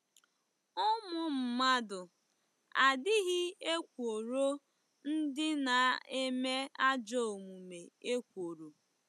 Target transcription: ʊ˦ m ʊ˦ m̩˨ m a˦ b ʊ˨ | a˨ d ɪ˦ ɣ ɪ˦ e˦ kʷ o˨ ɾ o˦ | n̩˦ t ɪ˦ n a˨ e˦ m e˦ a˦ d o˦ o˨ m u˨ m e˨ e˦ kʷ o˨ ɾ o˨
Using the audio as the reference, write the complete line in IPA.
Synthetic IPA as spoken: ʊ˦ m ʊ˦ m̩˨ m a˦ d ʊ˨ | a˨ d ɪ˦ ɣ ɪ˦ e˦ kʷ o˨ ɾ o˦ | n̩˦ d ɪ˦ n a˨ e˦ m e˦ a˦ d͡ʒ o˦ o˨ m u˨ m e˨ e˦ kʷ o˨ ɾ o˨